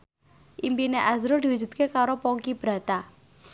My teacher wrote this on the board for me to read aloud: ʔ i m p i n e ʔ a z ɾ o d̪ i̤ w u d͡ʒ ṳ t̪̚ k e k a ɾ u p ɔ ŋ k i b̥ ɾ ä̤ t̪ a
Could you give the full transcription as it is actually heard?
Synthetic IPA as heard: ʔ i m p i n e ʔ a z ɾ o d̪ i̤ w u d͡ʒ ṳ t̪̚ k e k a ɾ o p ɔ ŋ k i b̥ ɾ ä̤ t̪ a